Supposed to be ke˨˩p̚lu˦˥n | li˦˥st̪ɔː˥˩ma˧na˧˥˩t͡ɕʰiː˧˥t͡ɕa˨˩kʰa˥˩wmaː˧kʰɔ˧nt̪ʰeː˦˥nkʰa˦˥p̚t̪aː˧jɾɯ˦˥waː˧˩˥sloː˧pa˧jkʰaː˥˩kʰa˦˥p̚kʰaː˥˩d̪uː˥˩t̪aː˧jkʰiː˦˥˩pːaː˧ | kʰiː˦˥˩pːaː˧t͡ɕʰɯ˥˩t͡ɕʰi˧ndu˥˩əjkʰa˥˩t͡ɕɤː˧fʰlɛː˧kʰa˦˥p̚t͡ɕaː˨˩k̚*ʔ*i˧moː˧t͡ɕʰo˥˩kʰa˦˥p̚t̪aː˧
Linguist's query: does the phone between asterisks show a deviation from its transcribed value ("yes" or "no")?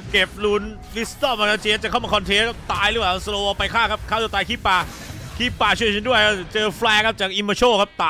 no